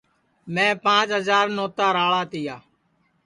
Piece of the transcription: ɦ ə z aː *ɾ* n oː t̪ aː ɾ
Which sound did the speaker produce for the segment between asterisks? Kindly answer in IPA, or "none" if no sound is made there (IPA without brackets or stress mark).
ɾ